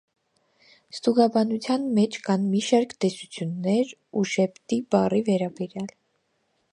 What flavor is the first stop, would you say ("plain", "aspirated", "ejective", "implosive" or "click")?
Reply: plain